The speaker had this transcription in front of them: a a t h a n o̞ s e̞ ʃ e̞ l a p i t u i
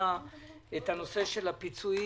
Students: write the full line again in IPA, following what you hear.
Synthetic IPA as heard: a e t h a n o̞ s e̞ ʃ e̞ l a p i t͡s u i